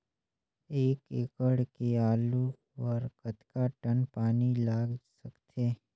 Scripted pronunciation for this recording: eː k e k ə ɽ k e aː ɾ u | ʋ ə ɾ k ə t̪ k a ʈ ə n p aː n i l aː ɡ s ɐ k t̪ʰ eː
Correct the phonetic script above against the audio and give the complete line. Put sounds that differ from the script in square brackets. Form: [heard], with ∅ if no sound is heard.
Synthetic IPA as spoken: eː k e k ə ɽ k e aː [l] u | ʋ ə ɾ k ə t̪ k a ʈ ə n p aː n i l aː ɡ s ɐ k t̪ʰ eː